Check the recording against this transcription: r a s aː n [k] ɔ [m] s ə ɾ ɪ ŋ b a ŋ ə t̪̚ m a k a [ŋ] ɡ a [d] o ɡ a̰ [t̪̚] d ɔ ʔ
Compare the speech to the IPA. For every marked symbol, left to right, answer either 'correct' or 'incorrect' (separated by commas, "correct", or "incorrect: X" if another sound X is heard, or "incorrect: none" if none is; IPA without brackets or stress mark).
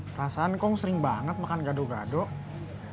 correct, incorrect: ŋ, incorrect: n, correct, incorrect: none